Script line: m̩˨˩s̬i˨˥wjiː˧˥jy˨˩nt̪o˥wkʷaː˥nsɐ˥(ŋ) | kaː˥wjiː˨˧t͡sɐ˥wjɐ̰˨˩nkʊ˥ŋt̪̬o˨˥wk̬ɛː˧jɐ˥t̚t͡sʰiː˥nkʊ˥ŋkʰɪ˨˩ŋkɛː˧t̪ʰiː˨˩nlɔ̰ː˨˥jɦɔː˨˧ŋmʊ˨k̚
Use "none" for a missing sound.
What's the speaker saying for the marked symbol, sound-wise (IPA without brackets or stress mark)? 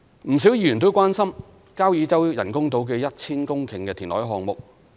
m